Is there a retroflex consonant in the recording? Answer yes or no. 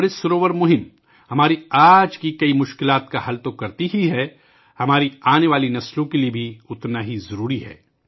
no